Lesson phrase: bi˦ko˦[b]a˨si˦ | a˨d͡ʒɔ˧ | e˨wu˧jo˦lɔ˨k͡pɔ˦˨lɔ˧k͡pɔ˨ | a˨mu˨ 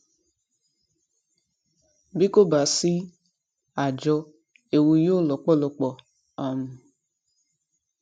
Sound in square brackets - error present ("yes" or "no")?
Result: no